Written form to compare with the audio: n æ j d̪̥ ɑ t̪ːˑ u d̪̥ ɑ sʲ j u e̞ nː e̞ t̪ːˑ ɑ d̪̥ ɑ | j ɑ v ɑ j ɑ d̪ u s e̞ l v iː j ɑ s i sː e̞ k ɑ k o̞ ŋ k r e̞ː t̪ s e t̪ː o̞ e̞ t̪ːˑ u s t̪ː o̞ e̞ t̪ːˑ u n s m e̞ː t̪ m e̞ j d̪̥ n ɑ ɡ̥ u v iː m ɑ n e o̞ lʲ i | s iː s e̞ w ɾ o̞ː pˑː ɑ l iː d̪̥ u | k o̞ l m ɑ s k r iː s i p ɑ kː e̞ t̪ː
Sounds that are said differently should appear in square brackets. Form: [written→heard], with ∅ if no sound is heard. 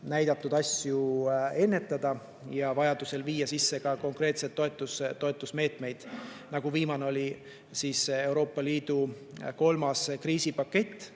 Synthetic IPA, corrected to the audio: n æ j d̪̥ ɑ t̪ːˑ u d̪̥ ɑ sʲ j u e̞ nː e̞ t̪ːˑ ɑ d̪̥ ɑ | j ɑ v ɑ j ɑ d̪ u s e̞ l v iː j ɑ s i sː e̞ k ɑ k o̞ ŋ k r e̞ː t̪ s e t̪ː o̞ e̞ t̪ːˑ u s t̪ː o̞ e̞ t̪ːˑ u [n→∅] s m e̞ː t̪ m e̞ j d̪̥ n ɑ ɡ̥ u v iː m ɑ n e o̞ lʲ i | s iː s e̞ w ɾ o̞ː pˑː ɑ l iː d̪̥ u | k o̞ l m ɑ s k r iː s i p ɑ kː e̞ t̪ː